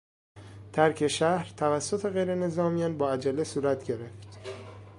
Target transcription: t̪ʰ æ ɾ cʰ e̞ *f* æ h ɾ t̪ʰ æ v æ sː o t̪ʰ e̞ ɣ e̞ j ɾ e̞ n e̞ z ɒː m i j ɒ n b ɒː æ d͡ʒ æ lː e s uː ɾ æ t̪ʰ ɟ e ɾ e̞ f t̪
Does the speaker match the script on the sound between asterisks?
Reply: no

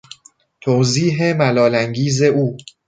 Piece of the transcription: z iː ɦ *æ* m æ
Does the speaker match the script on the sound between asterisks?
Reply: no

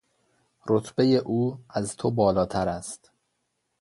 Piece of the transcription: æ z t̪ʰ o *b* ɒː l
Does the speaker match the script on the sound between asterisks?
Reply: yes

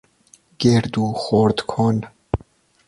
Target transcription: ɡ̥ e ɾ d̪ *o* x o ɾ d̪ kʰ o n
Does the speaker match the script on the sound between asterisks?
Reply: no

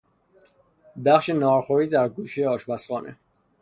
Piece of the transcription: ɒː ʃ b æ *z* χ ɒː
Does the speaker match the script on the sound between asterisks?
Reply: no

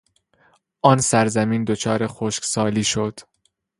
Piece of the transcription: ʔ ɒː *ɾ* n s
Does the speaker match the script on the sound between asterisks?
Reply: no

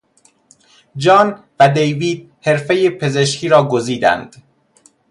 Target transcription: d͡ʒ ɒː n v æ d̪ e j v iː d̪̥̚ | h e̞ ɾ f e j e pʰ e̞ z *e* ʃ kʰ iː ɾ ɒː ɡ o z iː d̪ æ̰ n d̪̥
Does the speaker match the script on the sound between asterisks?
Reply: yes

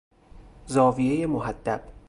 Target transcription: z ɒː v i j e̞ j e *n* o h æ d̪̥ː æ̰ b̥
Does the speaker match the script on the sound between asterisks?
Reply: no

